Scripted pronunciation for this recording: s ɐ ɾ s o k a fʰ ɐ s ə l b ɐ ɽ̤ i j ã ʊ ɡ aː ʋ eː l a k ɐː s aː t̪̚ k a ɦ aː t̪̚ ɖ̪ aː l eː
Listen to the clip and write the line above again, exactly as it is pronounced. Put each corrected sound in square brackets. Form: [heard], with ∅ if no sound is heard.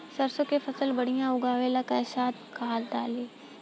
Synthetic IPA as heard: s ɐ ɾ s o k [e] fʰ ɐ s ə l b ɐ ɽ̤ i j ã ʊ ɡ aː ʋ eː l a k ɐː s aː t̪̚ k a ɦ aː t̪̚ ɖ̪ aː l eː